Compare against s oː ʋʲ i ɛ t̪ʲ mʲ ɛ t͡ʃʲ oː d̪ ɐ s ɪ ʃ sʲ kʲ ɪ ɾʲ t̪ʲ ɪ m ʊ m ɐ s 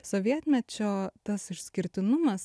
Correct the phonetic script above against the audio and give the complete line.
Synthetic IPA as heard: s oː ʋʲ i ɛ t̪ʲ mʲ ɛ t͡ʃʲ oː t̪ ɐ s ɪ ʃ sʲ kʲ ɪ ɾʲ t̪ʲ ɪ n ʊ m ɐ s